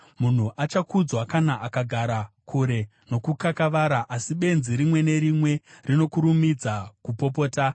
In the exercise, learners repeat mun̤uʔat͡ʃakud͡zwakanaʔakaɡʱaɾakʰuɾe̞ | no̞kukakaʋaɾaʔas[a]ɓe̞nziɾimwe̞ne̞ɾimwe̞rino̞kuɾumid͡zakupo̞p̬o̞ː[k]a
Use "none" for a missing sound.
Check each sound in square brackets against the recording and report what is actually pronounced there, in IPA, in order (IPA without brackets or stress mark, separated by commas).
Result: i, t